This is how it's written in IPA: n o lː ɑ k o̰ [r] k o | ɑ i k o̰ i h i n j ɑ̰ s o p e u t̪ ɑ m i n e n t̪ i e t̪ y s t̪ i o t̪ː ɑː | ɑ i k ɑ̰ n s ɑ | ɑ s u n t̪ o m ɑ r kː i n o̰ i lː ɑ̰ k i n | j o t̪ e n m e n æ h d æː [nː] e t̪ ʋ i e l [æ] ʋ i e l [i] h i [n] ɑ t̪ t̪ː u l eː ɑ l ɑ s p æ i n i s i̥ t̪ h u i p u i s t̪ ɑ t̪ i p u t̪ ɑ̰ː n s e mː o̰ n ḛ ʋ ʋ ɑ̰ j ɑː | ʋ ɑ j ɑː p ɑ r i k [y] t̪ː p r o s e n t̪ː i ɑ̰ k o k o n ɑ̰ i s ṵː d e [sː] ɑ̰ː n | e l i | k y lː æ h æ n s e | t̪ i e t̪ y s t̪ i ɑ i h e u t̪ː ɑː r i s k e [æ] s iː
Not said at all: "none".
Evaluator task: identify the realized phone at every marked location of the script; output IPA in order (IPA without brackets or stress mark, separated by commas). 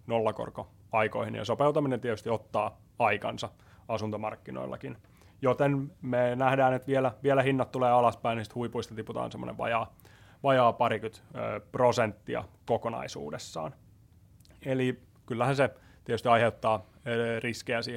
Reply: r, n, æ, æ, nː, y, sː, æ